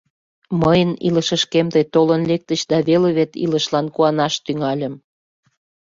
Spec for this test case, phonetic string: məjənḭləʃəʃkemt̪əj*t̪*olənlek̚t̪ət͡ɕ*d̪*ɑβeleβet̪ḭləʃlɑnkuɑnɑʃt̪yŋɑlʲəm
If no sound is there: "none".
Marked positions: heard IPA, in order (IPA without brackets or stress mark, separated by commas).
t̪, d̪